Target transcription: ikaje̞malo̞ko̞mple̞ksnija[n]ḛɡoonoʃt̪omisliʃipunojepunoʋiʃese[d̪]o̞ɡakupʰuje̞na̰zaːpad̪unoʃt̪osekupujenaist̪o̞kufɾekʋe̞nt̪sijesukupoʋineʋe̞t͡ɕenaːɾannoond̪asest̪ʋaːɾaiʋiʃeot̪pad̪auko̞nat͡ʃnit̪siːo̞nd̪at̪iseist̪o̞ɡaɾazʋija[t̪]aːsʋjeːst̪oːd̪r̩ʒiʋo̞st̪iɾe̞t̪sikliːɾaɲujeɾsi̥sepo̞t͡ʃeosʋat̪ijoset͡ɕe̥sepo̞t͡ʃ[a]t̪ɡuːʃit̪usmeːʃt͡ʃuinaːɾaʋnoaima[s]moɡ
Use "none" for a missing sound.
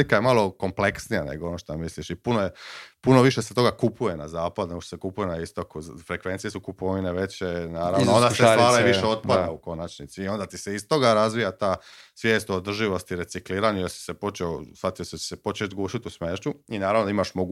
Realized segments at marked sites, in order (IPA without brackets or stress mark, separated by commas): n, t̪, t̪, e, ʃ